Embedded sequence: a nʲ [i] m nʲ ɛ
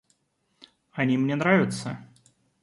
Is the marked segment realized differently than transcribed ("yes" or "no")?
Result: no